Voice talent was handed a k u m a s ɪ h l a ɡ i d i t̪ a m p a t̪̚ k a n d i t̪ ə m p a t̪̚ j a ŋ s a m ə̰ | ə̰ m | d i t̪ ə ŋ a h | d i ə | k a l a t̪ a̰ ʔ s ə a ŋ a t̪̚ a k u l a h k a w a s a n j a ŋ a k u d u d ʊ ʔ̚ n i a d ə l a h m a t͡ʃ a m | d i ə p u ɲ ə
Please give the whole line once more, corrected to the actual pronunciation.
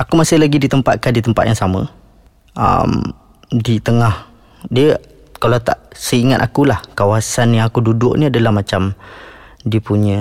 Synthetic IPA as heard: a k u m a s ɪ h l a ɡ i d i t̪ ə m p a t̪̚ k a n d i t̪ ə m p a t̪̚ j a ŋ s a m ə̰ | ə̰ m | d i t̪ ə ŋ a h | d i ə | k a l a t̪ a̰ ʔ s ə i ŋ a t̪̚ a k u l a h k a w a s a n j a ŋ a k u d u d ʊ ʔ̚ n i a d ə l a h m a t͡ʃ a m | d i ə p u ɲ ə